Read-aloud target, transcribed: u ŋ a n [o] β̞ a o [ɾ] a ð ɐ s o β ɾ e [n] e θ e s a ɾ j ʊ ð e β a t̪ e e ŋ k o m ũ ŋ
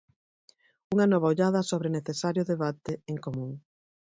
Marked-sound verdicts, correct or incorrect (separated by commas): incorrect, incorrect, correct